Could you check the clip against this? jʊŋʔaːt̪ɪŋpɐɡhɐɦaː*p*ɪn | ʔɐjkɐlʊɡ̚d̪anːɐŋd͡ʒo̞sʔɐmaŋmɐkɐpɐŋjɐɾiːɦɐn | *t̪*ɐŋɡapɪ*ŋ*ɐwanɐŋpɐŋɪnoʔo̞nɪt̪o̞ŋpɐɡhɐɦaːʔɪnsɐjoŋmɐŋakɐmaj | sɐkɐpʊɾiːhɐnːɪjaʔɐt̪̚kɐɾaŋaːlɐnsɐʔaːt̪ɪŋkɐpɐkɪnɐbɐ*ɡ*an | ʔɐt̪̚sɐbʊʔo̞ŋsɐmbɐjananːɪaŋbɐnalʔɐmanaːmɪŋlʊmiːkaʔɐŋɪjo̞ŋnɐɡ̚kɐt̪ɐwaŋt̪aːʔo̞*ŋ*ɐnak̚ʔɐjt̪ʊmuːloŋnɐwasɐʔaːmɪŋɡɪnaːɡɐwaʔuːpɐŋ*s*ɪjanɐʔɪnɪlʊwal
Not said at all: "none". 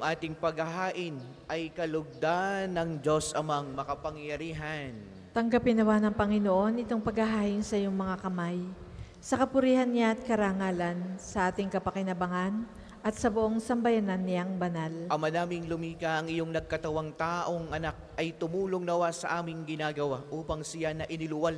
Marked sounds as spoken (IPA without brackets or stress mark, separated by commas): ʔ, t̪, n, ŋ, ŋ, s